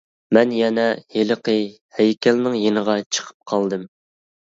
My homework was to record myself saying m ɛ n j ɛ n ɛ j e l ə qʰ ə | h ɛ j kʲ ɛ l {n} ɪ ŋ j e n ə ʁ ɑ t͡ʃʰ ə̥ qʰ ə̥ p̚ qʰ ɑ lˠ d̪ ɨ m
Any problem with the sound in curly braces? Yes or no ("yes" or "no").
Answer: no